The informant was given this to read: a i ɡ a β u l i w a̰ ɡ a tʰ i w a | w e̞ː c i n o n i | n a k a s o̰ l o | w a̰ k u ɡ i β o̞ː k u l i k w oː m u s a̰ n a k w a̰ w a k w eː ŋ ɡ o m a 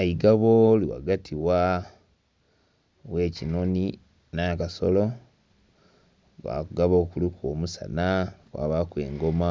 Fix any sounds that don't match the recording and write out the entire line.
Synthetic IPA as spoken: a i ɡ a β o l i w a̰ ɡ a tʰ i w a | w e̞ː c i n o n i | n a k a s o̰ l o | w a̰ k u ɡ a β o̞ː k u l i k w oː m u s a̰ n a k w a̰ β a k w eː ŋ ɡ o m a